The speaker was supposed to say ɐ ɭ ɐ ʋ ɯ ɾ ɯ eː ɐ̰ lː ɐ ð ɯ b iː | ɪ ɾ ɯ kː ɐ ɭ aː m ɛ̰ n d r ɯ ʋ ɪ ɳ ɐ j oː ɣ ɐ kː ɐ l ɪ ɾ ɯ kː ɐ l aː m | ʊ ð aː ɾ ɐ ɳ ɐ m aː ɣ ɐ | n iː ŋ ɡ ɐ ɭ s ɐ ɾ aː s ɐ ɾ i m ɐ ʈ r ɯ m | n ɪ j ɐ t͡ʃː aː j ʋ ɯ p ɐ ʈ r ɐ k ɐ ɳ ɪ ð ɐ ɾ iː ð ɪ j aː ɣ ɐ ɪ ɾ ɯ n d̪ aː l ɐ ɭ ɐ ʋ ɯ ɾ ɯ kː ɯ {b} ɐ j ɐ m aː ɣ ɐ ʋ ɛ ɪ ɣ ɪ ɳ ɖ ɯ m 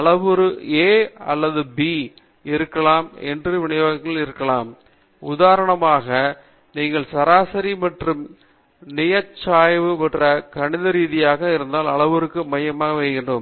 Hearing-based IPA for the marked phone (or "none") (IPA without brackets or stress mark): m